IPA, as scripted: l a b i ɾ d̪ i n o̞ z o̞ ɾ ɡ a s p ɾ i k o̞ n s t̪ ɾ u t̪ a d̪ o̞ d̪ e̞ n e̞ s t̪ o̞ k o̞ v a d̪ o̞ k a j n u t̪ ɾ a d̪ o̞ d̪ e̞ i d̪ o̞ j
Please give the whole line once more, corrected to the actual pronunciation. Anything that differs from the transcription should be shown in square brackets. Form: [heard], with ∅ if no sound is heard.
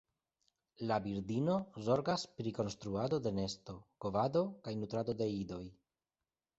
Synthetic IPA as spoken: l a b i ɾ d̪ i n o̞ z o̞ ɾ ɡ a s p ɾ i k o̞ n s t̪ ɾ u [∅] a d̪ o̞ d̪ e̞ n e̞ s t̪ o̞ k o̞ v a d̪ o̞ k a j n u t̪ ɾ a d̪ o̞ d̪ e̞ i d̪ o̞ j